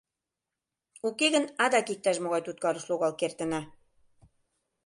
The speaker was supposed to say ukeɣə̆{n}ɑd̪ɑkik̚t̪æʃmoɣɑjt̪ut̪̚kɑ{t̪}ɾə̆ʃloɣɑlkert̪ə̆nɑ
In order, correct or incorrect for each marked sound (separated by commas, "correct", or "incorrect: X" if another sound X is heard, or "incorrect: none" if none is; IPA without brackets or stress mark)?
correct, incorrect: none